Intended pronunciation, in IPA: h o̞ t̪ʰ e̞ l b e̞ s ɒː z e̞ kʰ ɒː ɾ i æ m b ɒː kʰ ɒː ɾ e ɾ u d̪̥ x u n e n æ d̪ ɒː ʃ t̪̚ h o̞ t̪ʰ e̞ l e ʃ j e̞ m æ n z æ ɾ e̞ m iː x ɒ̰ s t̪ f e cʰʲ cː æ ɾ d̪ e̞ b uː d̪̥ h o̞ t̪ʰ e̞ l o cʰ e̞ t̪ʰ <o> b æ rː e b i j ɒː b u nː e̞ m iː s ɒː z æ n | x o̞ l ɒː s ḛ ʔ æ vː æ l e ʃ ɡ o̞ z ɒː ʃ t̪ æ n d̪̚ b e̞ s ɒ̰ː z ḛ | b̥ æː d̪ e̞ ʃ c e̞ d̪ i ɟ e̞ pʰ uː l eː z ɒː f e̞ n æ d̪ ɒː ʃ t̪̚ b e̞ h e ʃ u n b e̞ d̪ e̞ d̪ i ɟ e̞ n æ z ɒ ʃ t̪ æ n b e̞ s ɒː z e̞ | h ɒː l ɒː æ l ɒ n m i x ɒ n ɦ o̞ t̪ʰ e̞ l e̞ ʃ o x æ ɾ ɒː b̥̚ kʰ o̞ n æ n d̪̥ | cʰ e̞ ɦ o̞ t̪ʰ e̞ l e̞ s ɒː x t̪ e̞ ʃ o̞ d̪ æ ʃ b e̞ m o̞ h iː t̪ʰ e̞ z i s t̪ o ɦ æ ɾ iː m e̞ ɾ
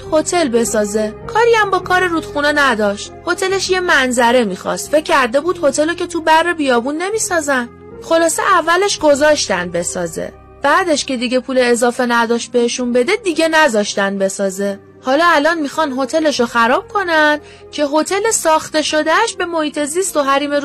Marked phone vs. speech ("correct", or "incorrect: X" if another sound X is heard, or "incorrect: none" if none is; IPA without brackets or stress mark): incorrect: u